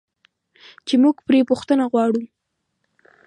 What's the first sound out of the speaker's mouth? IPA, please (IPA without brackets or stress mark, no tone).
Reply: t͡ʃ